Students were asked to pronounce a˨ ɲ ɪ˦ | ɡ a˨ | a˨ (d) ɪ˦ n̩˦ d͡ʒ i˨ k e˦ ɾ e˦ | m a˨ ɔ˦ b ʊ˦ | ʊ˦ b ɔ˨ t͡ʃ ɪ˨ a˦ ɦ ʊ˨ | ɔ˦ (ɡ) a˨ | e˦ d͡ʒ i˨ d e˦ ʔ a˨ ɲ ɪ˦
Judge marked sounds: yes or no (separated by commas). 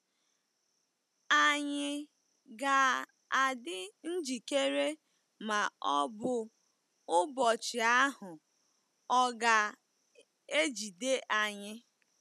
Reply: yes, yes